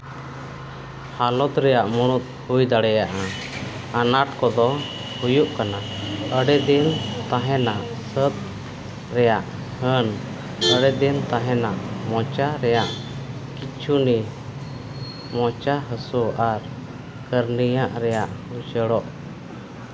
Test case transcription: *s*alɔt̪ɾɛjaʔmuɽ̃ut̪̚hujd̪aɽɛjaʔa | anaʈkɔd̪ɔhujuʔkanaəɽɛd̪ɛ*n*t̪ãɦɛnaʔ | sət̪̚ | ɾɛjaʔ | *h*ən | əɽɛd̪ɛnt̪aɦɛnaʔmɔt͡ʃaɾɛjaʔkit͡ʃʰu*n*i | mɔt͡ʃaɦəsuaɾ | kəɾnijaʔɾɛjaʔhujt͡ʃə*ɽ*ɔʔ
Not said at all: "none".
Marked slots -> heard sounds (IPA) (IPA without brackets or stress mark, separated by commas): h, n, h, n, ɽ